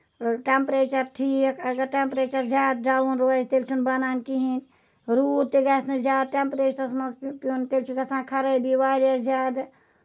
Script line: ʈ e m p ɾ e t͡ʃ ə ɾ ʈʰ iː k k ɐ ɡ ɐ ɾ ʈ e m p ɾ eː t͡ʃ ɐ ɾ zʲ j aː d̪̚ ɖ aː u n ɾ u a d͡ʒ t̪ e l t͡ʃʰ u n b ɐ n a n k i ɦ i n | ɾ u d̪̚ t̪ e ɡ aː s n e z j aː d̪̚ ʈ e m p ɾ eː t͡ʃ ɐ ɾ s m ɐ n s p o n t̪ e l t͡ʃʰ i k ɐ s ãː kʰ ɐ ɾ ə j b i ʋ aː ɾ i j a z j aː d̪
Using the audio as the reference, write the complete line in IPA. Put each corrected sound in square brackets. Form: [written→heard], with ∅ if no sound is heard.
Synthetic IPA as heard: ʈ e m p ɾ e t͡ʃ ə ɾ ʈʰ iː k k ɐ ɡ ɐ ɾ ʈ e m p ɾ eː t͡ʃ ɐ ɾ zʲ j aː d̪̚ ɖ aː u n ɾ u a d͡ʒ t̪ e l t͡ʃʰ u n b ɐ n a n k i ɦ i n | ɾ u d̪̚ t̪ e ɡ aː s n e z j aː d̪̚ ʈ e m p ɾ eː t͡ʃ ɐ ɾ s m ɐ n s p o n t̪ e l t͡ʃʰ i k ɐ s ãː kʰ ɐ ɾ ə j b i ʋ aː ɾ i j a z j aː d̪